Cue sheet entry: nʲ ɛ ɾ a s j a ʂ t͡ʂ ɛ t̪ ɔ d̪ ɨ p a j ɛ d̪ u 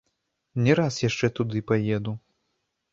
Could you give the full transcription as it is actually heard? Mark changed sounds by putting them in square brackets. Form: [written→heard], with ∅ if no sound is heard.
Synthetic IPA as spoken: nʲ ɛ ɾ a s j a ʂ t͡ʂ ɛ t̪ [ɔ→u] d̪ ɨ p a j ɛ d̪ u